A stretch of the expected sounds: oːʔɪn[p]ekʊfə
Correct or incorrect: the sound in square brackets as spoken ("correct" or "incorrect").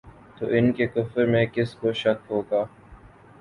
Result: incorrect